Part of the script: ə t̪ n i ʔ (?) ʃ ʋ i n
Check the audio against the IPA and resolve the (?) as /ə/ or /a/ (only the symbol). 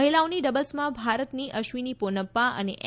ə